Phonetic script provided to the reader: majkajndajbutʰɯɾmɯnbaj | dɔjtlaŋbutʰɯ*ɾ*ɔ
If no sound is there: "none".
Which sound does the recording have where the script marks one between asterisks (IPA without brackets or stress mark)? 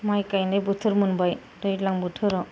ɾ